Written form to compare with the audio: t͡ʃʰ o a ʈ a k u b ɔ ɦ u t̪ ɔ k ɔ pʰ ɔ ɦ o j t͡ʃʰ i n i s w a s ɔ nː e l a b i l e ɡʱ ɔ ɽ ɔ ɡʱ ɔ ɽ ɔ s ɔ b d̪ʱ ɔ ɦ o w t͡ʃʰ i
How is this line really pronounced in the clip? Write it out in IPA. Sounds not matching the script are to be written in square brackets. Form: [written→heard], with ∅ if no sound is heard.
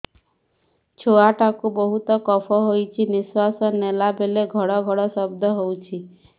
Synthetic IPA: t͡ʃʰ o a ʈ a k u b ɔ ɦ u t̪ ɔ k ɔ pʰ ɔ ɦ o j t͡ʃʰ i n i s w a s ɔ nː e l a b [i→e] l e ɡʱ ɔ ɽ ɔ ɡʱ ɔ ɽ ɔ s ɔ b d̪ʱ ɔ ɦ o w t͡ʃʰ i